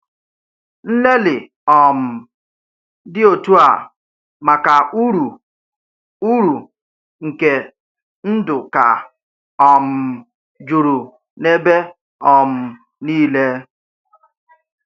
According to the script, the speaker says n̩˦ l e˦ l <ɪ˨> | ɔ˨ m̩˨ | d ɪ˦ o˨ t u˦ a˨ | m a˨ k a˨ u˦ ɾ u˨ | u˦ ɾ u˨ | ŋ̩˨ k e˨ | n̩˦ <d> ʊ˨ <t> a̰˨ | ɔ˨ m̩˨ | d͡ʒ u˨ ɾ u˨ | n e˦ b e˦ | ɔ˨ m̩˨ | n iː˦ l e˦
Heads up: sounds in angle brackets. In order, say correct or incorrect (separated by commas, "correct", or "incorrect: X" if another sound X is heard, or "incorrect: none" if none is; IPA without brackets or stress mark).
correct, correct, incorrect: k